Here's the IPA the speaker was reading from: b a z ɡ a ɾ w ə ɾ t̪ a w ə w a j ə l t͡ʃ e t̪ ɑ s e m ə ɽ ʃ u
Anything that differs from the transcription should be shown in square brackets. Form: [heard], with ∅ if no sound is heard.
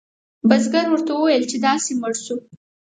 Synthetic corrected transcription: b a z ɡ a ɾ w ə ɾ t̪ a w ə w a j ə l t͡ʃ e [d̪] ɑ s e m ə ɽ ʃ u